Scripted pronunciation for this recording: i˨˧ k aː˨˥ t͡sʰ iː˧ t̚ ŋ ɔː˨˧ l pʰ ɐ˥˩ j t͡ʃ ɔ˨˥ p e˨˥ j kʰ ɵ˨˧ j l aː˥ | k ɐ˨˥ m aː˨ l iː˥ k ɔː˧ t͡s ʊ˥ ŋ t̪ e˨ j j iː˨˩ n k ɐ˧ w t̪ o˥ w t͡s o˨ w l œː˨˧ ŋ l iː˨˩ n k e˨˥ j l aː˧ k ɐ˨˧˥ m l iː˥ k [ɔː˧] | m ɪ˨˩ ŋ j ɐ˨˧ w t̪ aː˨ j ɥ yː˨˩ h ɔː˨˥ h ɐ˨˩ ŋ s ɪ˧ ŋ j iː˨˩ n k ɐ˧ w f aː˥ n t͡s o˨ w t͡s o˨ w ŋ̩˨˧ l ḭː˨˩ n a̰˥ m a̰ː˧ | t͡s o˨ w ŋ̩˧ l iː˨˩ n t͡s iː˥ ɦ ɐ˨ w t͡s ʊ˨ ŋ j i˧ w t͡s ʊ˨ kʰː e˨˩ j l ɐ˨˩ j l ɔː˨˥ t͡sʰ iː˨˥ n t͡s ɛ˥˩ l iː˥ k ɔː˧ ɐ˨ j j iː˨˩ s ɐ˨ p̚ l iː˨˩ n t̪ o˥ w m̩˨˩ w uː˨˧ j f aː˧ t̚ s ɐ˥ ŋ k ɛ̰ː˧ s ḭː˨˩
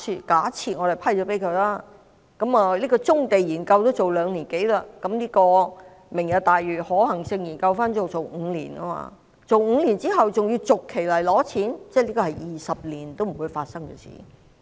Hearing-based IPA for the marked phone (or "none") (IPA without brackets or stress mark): ɔː˧